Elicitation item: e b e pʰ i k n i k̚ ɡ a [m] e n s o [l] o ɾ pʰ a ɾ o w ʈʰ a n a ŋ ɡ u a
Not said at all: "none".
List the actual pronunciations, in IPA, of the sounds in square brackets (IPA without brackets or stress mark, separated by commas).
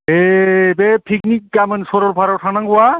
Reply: m, ɾ